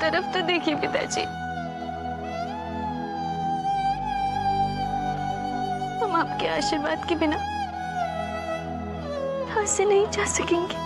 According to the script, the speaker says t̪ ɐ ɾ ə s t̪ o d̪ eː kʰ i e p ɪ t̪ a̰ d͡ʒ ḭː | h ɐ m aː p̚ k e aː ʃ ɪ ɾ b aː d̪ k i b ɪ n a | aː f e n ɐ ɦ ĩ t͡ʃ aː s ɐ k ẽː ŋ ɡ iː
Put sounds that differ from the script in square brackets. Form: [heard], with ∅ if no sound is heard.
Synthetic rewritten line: t̪ ɐ ɾ ə [f] t̪ o d̪ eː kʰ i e p ɪ t̪ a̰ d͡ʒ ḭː | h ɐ m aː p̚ k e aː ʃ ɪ ɾ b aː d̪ k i b ɪ n a | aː [s] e n ɐ ɦ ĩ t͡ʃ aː s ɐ k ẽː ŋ ɡ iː